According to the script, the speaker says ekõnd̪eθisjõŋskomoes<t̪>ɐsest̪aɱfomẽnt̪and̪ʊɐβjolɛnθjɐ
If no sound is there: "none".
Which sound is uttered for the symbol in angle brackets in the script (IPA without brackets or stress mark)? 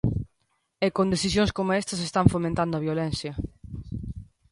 t̪